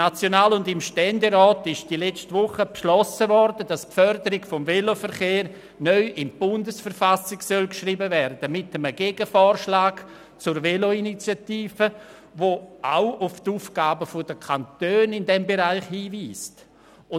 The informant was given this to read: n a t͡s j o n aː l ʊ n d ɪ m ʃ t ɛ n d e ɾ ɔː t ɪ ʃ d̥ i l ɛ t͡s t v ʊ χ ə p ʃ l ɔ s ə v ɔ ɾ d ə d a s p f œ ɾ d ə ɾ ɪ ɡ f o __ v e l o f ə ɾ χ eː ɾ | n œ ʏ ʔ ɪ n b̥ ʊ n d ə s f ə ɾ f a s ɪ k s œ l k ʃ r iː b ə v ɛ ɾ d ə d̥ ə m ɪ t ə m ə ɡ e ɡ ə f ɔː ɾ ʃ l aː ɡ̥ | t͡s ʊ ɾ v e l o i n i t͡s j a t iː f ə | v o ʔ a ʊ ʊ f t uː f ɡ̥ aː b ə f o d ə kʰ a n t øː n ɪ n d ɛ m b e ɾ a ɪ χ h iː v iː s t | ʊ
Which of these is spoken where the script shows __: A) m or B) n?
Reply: A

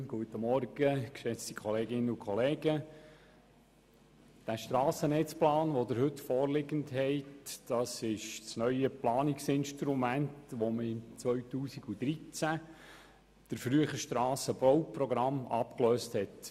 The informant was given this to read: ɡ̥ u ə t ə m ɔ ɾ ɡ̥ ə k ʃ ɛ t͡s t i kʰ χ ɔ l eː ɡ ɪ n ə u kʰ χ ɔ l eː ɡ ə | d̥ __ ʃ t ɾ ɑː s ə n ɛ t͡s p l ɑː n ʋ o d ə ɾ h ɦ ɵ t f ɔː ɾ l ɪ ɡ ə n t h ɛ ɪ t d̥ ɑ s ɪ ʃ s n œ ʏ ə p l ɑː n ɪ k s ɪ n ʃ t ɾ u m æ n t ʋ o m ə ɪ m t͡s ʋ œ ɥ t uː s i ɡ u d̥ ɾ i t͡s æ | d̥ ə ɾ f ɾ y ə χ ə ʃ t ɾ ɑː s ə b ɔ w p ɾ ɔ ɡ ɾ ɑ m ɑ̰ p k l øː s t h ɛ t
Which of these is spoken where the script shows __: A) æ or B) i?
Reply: A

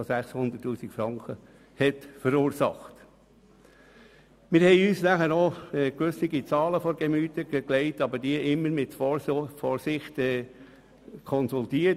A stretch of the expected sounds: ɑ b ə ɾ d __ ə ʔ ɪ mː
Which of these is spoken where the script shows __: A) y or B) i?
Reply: B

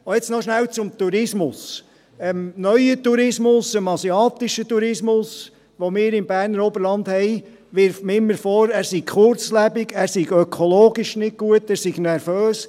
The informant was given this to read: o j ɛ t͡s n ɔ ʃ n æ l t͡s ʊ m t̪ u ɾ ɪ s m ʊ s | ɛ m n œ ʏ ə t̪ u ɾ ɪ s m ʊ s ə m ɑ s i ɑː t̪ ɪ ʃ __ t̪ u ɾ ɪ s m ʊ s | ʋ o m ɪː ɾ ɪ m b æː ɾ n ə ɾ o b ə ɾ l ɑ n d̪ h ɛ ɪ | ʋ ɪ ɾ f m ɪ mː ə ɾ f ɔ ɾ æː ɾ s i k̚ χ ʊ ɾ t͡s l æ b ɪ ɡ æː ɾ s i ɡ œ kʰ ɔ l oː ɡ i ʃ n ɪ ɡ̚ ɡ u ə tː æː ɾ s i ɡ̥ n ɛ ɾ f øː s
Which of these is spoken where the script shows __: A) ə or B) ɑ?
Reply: A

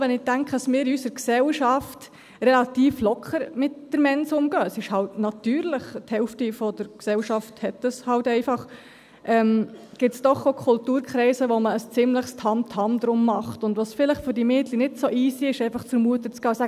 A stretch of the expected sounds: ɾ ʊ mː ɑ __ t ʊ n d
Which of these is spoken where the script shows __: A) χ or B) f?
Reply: A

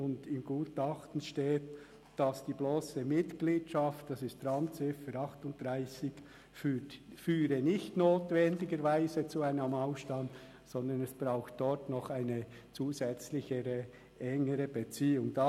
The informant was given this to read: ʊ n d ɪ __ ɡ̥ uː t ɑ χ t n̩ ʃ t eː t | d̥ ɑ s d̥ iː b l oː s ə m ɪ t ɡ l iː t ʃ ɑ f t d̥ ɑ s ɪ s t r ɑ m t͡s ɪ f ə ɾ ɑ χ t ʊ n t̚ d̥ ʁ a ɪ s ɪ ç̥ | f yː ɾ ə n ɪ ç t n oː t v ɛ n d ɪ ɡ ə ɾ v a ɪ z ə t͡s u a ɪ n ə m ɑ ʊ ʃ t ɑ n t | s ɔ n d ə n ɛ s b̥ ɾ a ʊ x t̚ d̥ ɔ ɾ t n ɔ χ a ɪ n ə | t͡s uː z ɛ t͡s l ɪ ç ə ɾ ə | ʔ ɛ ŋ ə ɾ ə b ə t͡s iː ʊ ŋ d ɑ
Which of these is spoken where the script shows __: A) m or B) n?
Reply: A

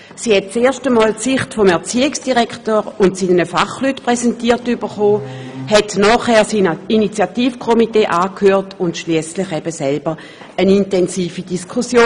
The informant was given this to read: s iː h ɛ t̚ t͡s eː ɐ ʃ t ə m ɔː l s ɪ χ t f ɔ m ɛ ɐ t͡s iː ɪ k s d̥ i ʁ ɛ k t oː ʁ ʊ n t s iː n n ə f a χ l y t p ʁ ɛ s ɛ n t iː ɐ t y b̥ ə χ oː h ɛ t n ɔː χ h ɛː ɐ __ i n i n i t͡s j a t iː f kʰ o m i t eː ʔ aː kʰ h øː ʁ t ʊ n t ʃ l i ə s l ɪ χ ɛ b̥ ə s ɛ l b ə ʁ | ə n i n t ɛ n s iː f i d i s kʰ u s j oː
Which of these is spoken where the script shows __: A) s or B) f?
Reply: A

